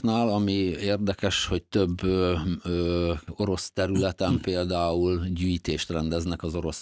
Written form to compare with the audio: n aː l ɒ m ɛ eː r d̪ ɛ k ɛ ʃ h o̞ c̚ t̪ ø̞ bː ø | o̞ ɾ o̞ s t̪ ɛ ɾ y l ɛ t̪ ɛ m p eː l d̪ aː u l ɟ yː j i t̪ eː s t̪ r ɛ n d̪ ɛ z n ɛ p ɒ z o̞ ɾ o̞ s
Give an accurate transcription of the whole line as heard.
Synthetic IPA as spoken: n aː l ɒ m i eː r d̪ ɛ k ɛ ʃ h o̞ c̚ t̪ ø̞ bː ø | o̞ ɾ o̞ s t̪ ɛ ɾ y l ɛ t̪ ɛ m p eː l d̪ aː u l ɟ yː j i t̪ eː ʃ t̪ r ɛ n d̪ ɛ z n ɛ k ɒ z o̞ ɾ o̞ s